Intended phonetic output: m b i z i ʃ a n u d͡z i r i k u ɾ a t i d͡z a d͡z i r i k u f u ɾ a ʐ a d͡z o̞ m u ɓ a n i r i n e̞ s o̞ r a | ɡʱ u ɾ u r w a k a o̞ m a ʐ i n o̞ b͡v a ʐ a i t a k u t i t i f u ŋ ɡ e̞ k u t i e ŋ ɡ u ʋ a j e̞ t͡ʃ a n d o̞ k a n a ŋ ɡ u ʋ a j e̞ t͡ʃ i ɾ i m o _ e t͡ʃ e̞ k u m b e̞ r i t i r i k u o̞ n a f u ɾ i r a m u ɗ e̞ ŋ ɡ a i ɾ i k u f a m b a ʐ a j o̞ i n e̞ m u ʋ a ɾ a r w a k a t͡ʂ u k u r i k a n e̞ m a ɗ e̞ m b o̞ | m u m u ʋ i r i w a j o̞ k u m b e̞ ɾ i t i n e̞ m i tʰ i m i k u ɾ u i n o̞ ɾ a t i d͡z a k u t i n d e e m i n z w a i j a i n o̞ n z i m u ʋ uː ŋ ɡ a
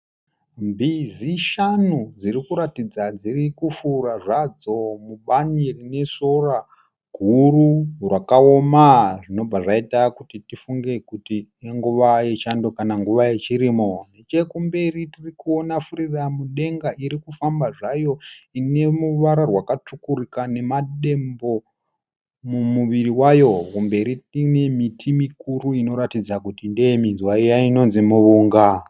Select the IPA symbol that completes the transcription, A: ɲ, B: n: B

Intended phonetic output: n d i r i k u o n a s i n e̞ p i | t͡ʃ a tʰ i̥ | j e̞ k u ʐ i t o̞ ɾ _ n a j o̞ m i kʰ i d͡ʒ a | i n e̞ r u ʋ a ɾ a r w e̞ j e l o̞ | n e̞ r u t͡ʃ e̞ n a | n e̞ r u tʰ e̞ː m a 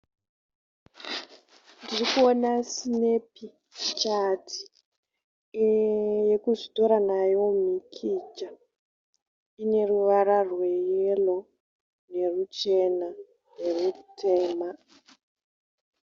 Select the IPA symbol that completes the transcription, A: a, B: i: A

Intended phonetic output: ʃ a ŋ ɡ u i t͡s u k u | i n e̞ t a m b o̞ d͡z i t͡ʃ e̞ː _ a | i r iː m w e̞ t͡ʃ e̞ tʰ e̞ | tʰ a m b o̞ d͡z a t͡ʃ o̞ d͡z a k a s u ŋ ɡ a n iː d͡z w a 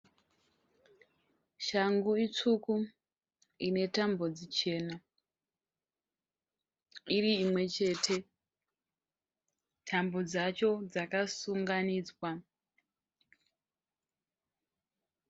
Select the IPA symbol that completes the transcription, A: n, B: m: A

